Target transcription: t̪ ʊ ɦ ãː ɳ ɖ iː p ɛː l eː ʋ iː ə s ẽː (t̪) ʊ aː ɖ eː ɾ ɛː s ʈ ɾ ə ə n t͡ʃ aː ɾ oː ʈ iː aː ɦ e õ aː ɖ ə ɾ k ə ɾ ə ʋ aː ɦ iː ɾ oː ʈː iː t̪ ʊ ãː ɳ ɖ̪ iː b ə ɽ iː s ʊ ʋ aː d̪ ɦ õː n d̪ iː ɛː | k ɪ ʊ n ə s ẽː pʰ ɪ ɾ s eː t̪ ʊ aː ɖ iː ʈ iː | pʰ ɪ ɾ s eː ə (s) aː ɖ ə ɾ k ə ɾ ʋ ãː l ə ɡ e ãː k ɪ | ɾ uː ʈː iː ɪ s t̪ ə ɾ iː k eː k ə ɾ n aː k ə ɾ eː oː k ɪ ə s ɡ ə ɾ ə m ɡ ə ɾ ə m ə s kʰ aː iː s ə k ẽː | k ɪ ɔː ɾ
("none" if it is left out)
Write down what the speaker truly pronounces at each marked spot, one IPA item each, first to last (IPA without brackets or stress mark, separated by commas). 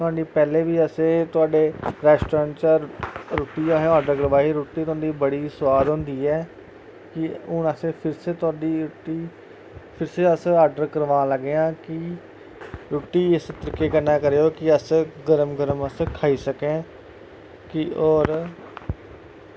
t̪, s